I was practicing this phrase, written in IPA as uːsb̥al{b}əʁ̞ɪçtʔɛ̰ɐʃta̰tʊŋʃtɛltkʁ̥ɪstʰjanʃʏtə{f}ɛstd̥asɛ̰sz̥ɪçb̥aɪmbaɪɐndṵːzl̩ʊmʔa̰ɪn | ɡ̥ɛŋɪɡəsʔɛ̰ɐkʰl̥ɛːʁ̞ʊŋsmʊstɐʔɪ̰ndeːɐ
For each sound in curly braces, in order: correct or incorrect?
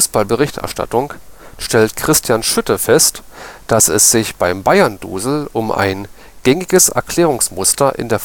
correct, correct

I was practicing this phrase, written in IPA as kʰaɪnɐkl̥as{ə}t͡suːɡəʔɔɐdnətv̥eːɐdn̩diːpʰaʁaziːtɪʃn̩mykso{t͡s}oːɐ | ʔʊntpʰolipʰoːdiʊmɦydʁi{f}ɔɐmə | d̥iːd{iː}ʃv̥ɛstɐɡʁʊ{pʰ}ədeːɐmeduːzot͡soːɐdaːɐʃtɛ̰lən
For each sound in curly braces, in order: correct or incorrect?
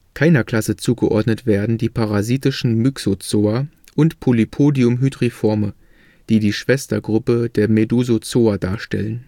correct, correct, correct, correct, incorrect: p

